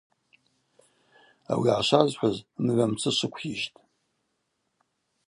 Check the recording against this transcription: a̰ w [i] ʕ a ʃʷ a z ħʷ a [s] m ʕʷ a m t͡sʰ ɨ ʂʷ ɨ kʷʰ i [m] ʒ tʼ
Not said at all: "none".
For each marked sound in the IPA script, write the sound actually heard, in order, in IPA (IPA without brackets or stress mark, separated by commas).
i, z, none